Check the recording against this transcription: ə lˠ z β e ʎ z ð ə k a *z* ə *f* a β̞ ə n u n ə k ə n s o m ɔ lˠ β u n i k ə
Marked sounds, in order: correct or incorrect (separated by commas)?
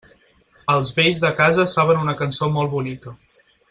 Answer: correct, incorrect